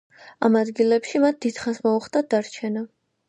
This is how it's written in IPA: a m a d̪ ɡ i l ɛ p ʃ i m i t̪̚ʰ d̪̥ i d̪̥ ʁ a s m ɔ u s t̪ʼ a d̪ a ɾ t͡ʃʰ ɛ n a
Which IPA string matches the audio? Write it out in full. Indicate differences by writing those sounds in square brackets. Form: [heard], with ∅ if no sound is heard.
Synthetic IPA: a m a d̪ ɡ i l ɛ p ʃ i m [a] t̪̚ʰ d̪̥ i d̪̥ [χ] a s m ɔ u [χ] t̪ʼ a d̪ a ɾ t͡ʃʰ ɛ n a